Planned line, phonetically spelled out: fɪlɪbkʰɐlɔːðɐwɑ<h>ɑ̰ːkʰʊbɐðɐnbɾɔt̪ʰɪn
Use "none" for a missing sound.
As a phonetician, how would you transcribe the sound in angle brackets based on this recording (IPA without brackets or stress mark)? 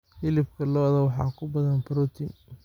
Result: ħ